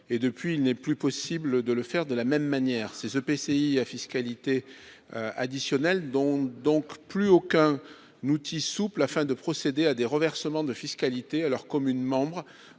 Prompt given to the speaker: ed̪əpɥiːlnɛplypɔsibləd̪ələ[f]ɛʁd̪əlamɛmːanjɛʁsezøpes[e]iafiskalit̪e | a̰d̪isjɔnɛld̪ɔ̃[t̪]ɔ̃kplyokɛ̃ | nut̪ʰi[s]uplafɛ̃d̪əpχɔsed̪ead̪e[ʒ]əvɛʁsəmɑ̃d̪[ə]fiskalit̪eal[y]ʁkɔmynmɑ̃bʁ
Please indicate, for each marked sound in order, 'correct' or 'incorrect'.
correct, correct, incorrect, correct, incorrect, correct, incorrect

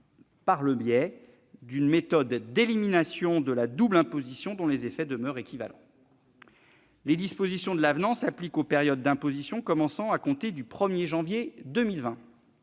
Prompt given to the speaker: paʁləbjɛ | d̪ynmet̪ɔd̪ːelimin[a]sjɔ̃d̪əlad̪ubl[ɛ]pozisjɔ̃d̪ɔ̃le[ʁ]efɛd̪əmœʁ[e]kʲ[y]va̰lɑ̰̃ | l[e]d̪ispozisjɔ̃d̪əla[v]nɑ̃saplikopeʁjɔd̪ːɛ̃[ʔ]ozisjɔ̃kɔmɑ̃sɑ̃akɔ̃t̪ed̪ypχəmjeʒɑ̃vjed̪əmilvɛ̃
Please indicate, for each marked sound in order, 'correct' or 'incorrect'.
correct, incorrect, incorrect, correct, incorrect, correct, correct, incorrect

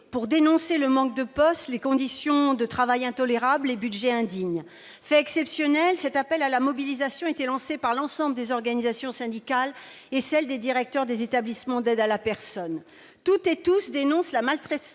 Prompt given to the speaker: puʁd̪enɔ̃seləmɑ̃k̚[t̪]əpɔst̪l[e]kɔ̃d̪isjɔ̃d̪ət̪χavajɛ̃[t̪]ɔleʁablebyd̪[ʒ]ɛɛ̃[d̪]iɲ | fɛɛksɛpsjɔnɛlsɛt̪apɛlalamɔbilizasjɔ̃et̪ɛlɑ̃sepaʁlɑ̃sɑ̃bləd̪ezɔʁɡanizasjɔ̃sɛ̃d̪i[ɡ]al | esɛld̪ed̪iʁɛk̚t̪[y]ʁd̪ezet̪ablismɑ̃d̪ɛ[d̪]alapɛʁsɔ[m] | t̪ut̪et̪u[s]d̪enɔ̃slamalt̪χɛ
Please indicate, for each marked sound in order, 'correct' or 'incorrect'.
incorrect, correct, correct, correct, correct, incorrect, incorrect, correct, incorrect, correct

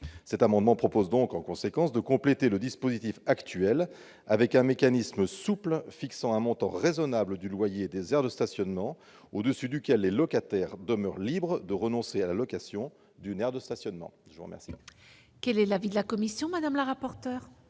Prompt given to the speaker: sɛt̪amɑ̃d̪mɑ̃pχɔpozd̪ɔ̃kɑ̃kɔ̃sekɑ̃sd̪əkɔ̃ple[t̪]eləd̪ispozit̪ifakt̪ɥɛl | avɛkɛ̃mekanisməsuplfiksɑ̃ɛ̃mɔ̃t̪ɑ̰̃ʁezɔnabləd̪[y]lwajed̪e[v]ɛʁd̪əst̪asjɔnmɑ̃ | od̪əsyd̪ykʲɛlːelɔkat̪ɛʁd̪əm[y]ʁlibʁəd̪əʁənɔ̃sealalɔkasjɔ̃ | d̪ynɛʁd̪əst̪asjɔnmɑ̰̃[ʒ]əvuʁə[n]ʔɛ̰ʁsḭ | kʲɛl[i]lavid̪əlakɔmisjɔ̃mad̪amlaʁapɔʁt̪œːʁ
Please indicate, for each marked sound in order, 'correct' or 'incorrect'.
correct, correct, incorrect, incorrect, correct, incorrect, incorrect

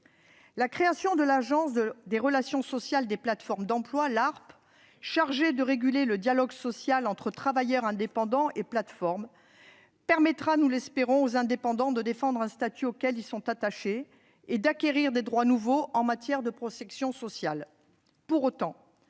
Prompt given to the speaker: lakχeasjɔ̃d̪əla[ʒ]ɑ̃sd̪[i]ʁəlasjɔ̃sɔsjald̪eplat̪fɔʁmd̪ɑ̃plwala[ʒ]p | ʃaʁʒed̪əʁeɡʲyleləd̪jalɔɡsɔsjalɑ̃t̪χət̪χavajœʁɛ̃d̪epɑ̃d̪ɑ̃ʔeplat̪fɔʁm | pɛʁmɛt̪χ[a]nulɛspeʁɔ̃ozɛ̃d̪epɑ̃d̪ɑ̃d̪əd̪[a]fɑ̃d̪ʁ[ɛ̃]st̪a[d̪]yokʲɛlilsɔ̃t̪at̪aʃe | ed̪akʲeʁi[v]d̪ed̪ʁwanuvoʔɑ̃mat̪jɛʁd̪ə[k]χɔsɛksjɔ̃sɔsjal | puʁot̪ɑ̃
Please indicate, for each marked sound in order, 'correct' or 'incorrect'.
correct, incorrect, incorrect, correct, incorrect, correct, incorrect, incorrect, incorrect

